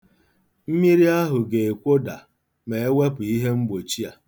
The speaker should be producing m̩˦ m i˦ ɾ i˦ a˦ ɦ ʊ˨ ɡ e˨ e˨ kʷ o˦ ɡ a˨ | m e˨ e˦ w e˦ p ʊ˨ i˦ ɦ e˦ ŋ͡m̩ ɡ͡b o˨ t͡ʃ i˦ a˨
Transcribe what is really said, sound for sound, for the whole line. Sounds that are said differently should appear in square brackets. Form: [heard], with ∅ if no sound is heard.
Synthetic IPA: m̩˦ m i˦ ɾ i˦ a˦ ɦ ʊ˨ ɡ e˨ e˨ kʷ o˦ [d] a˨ | m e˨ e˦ w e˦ p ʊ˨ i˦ ɦ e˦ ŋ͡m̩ ɡ͡b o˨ t͡ʃ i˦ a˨